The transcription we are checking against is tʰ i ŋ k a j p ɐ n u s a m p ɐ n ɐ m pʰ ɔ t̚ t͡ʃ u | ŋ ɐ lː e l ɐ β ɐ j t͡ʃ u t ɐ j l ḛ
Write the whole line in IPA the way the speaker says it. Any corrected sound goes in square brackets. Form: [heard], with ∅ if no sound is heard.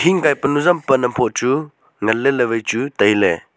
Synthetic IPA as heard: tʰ i ŋ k a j p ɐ n u [z] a m p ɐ n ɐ m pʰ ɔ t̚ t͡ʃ u | ŋ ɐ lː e l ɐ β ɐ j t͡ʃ u t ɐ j l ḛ